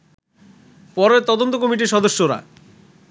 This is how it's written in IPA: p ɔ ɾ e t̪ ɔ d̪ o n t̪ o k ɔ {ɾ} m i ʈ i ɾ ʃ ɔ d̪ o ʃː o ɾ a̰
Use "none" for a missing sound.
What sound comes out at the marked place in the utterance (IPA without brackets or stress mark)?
none